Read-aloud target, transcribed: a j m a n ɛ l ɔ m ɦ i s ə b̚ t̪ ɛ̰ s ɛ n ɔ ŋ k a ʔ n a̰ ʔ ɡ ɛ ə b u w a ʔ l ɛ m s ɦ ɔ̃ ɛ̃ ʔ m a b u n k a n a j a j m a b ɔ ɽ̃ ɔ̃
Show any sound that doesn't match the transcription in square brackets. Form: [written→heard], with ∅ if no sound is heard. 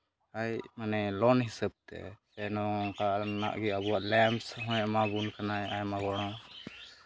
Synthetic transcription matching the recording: a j m a n ɛ l ɔ [m→n] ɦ i s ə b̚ t̪ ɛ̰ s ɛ n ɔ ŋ k a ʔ n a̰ ʔ ɡ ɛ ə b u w a ʔ l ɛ m s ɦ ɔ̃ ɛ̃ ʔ m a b u n k a n a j a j m a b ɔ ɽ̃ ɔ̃